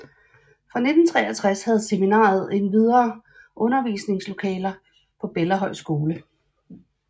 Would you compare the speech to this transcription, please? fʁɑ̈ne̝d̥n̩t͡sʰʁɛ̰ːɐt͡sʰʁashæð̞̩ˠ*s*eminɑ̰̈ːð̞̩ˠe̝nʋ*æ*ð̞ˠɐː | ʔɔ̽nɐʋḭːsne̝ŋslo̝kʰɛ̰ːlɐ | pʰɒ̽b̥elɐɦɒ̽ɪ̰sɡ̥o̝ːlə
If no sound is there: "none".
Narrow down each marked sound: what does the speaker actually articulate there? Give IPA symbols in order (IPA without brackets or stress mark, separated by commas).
s, i